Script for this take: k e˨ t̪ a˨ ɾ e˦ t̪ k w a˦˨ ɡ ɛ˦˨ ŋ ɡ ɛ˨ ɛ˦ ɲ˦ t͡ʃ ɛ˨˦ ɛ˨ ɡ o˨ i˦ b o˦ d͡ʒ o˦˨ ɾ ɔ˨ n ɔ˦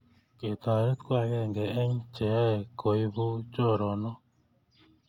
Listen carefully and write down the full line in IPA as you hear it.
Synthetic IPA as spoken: k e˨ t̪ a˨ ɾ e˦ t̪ k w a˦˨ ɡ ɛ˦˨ ŋ ɡ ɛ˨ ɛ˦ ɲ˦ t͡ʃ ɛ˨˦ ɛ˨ k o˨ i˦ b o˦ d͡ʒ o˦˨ ɾ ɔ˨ n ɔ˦